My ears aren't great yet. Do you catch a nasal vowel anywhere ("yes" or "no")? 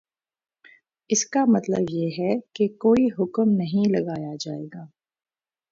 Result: yes